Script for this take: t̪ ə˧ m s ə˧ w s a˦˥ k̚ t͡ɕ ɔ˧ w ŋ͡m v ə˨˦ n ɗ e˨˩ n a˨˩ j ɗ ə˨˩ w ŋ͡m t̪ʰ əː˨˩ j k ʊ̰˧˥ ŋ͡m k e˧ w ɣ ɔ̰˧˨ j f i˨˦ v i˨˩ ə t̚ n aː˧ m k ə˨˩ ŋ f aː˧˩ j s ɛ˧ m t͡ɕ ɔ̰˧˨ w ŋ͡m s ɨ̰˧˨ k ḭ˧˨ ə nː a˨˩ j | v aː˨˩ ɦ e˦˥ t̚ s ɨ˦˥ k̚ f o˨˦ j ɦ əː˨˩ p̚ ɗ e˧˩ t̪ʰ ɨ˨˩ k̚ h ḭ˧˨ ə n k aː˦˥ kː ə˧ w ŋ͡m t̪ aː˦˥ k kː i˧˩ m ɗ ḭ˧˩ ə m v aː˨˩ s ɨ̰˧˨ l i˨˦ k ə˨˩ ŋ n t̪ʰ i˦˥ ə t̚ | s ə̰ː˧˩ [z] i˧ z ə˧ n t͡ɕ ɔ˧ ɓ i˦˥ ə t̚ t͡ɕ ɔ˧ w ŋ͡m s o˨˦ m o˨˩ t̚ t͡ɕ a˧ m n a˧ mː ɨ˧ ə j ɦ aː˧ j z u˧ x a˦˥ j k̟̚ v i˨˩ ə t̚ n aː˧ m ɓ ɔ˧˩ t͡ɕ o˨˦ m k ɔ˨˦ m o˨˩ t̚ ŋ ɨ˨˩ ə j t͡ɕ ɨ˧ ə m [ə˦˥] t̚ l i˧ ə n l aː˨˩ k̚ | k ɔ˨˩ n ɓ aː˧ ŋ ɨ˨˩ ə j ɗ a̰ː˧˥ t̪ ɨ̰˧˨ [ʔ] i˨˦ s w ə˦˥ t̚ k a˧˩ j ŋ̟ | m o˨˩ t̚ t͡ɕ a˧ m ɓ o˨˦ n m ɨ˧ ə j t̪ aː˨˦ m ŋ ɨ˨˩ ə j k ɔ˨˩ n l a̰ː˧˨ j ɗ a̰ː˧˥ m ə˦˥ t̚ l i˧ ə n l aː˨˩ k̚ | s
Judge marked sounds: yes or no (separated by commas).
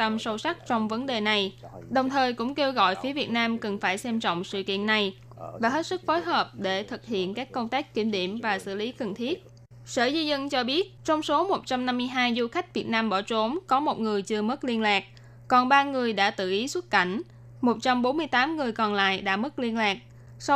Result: yes, yes, yes